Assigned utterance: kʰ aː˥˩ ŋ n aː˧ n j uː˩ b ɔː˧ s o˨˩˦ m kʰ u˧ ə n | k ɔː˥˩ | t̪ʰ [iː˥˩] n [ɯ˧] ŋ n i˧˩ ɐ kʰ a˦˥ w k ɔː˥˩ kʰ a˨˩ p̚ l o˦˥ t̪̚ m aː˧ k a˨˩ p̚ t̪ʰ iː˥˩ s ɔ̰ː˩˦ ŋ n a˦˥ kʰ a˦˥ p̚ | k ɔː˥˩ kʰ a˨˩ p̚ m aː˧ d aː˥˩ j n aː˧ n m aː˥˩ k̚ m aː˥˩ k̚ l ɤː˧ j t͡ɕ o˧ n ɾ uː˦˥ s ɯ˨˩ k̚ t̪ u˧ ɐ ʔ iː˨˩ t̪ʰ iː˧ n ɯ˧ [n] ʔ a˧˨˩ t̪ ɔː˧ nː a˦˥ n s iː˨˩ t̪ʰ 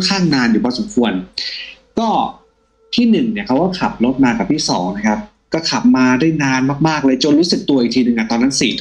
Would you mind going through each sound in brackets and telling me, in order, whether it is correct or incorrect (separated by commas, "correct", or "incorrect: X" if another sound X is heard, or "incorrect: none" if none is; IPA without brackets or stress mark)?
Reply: correct, incorrect: ɯ˨˩, incorrect: ŋ